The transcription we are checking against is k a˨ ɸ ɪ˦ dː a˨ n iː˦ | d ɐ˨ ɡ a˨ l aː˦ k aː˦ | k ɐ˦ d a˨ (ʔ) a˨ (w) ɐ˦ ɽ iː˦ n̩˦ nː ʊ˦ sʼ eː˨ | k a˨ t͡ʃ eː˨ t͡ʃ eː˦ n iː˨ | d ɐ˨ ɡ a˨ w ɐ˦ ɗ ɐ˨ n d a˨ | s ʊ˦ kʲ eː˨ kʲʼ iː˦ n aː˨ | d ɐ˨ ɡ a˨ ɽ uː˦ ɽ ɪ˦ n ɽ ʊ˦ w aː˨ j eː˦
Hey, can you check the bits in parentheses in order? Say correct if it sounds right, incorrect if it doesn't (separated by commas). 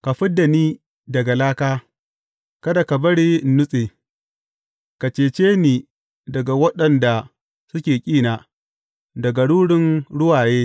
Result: incorrect, incorrect